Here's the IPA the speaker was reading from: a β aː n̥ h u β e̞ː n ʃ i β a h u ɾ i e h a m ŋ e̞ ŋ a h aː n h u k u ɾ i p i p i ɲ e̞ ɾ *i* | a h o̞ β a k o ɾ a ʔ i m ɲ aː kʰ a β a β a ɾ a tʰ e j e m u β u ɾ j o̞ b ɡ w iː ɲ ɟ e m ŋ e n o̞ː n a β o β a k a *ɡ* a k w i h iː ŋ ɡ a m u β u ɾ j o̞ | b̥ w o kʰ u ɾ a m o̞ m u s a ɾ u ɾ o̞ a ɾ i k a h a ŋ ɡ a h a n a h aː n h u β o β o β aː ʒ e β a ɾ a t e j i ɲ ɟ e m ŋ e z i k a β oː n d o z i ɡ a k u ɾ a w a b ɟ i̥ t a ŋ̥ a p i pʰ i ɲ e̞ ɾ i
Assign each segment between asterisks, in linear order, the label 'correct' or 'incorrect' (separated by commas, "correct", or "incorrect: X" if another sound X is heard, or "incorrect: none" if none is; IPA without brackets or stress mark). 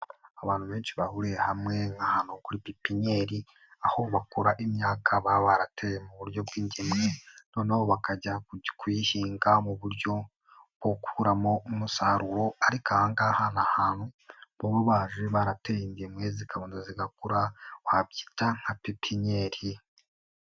correct, incorrect: ɟ